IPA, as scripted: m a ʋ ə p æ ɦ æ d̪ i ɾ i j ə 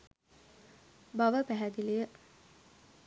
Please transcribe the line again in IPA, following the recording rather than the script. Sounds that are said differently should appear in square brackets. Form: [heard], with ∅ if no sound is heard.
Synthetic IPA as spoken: [b] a ʋ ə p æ ɦ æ d̪ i [l] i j ə

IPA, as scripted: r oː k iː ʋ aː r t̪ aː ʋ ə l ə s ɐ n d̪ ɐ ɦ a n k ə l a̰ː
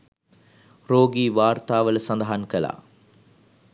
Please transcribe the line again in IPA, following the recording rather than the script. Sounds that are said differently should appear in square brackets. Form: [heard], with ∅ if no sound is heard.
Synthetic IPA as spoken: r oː [ɡ] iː ʋ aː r t̪ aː ʋ ə l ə s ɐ n d̪ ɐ ɦ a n k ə l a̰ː

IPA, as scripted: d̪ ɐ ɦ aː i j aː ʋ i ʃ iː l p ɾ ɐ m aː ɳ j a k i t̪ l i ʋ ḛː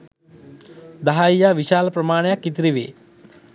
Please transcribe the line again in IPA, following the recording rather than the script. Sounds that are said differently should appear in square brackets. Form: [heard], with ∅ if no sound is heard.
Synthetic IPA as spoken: d̪ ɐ ɦ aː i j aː ʋ i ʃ [aː] l p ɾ ɐ m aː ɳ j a k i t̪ [ɾ] i ʋ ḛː

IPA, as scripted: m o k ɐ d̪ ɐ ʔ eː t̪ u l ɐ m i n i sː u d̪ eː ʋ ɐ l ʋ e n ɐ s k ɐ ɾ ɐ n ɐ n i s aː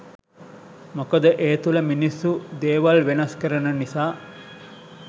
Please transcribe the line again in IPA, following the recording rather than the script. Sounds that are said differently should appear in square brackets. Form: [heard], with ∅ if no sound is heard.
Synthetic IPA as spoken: m o k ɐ d̪ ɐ ʔ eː t̪ u l ɐ m i n i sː u d̪ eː ʋ ɐ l ʋ e n ɐ s k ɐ ɾ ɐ n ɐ n i s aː

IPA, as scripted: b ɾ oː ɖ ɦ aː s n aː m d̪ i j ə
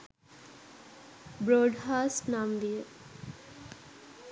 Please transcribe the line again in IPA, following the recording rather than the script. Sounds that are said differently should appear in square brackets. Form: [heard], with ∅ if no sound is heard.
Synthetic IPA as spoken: b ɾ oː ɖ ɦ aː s n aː m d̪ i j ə

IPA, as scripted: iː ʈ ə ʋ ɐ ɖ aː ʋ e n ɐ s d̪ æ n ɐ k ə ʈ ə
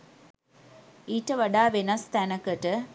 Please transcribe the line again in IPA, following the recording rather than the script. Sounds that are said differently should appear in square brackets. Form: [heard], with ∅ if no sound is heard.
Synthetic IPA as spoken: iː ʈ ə ʋ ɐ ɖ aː ʋ e n ɐ s [t̪] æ n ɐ k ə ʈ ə

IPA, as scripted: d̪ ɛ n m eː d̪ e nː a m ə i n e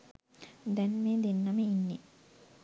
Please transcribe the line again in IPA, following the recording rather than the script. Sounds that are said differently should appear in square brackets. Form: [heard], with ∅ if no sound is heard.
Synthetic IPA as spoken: d̪ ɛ n m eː d̪ e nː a m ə i [nː] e

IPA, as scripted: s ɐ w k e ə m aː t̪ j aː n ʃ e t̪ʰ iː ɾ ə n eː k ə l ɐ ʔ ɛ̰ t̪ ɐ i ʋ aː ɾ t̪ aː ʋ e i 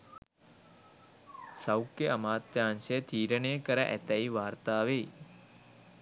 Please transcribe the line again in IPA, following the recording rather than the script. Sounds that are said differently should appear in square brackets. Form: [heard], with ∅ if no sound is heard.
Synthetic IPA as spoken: s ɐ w k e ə m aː t̪ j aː n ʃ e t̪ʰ iː ɾ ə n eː k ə [ɾ] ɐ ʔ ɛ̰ t̪ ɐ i ʋ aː ɾ t̪ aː ʋ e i

